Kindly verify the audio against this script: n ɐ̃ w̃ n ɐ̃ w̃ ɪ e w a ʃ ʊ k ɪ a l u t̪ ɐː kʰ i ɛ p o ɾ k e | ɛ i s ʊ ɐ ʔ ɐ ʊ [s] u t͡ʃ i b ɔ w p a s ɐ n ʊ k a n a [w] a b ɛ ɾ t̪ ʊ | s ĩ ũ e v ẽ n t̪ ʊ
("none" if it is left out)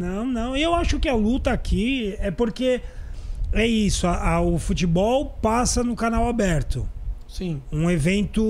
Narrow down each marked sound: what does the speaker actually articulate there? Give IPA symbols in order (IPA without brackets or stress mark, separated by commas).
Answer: f, w